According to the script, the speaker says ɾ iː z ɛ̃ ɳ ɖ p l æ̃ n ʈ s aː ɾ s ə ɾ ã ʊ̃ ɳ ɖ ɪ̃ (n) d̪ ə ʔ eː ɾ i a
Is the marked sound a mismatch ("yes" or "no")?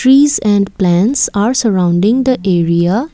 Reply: yes